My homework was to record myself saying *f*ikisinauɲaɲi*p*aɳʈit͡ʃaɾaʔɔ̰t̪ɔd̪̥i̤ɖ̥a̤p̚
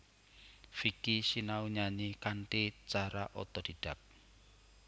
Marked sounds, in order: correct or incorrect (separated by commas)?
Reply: correct, incorrect